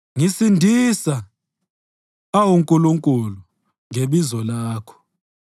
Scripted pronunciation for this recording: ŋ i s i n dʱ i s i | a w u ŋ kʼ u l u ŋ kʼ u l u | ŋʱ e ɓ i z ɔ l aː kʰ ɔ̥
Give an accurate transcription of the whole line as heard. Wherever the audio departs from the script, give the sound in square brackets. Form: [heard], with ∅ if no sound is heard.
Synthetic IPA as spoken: ŋ i s i n dʱ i s [a] | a w u ŋ kʼ u l u ŋ kʼ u l u | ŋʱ e ɓ i z ɔ l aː kʰ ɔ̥